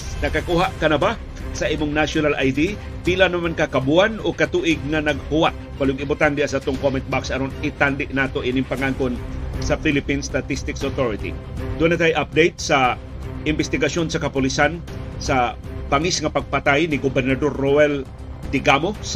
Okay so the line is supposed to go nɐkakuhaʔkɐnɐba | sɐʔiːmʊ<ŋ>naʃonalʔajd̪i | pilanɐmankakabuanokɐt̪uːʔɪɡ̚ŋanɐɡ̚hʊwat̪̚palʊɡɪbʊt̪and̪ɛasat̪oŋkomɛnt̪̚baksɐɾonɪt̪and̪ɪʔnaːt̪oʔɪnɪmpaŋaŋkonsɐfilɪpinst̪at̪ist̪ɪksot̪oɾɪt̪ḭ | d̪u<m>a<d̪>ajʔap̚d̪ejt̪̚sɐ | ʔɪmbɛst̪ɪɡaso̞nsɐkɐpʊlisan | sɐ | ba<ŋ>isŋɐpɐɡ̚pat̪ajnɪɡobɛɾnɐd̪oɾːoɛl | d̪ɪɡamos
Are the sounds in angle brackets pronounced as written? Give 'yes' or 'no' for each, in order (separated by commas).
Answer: yes, no, no, yes